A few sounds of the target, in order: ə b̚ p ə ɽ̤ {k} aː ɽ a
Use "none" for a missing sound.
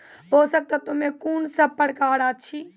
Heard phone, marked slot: k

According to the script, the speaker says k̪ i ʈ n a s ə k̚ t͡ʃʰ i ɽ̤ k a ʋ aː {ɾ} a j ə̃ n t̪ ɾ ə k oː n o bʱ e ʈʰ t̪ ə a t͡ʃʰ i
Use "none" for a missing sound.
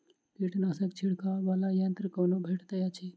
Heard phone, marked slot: l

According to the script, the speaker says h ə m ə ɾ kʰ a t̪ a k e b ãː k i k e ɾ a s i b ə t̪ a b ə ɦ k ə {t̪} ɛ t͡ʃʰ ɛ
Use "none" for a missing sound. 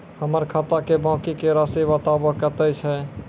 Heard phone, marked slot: t̪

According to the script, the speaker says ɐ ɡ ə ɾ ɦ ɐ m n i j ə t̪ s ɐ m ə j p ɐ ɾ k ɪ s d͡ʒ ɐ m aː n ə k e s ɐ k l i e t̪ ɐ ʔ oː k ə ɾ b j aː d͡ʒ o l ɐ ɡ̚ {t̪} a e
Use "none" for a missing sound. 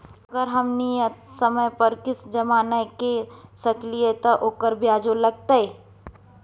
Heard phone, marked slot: t̪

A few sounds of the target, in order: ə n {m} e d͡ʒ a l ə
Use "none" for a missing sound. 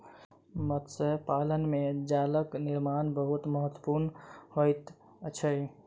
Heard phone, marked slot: m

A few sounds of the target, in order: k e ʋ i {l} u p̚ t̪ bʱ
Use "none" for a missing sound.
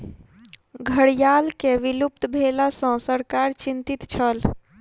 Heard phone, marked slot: l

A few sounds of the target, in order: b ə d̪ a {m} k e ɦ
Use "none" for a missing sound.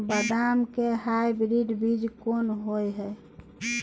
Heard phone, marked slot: m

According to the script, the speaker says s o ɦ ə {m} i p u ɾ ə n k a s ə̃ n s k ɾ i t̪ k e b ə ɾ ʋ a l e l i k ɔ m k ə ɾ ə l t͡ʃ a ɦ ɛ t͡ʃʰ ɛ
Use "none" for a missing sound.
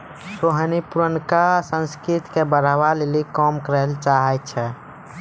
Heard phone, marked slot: n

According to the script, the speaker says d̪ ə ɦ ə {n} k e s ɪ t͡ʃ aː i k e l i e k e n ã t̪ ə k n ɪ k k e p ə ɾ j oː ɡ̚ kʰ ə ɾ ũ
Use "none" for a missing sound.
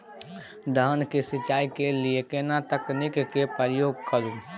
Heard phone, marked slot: n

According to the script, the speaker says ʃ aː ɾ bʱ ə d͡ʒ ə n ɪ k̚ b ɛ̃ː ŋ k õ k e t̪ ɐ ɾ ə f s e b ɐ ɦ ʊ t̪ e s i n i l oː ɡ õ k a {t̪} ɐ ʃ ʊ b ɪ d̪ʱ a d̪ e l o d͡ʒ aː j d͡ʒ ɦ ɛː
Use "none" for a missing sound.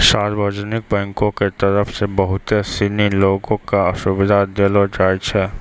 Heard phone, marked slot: none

